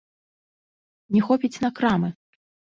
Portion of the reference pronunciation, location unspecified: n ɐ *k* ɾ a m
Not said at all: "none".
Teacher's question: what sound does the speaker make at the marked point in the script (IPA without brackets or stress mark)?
k